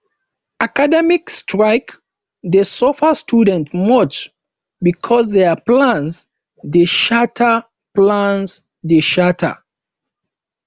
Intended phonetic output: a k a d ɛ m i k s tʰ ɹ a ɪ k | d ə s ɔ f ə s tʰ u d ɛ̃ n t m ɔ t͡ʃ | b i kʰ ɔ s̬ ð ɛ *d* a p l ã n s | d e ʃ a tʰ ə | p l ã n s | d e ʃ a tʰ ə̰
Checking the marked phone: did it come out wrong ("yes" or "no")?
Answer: yes